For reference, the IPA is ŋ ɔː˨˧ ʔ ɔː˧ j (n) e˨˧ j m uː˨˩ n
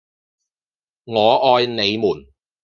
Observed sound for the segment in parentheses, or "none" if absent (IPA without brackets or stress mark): n